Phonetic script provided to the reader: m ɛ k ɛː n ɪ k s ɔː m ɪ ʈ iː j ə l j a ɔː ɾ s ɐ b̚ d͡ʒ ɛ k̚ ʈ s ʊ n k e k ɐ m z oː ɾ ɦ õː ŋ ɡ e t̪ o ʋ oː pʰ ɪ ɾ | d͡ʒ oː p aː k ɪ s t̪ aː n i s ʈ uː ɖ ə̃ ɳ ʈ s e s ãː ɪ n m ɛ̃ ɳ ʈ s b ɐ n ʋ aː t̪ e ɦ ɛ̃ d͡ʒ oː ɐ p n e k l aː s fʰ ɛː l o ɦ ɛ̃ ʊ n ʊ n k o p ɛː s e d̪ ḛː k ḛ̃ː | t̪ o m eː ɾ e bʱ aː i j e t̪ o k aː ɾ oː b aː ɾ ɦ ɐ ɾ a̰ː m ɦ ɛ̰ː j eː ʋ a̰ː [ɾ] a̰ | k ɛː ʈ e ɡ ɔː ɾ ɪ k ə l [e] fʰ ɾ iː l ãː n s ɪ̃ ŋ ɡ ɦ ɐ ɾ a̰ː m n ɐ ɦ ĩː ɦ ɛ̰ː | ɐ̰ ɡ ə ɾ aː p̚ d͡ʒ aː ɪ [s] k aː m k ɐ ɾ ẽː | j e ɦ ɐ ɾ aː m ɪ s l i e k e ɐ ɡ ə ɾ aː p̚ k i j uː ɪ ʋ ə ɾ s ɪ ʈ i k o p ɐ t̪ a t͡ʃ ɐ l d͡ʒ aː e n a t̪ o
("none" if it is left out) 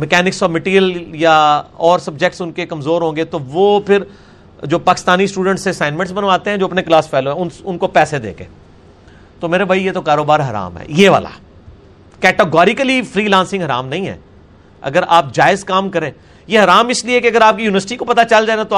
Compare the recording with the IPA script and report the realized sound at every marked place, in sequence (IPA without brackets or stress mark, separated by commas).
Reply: l, i, z